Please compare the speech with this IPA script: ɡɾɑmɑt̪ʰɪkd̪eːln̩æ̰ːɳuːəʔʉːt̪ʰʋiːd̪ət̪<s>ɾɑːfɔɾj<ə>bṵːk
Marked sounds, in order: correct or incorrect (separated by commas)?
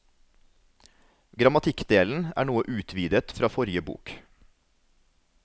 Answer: incorrect, correct